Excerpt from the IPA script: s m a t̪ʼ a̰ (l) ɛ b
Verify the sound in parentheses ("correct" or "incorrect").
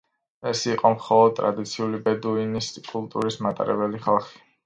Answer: incorrect